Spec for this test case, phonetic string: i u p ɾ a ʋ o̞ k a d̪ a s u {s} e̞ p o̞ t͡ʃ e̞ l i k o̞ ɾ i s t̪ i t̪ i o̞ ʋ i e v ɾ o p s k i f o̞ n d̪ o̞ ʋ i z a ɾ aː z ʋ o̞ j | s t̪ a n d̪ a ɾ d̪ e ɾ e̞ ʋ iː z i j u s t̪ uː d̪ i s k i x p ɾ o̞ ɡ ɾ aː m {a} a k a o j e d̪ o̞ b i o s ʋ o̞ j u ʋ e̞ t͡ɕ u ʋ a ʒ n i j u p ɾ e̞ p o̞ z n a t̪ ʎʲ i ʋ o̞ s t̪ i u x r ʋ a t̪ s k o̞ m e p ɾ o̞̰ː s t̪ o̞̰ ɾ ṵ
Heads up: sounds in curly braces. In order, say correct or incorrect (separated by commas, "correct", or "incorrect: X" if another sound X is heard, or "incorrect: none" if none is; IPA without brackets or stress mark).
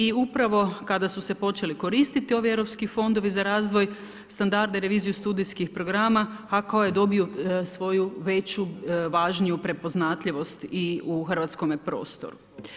correct, correct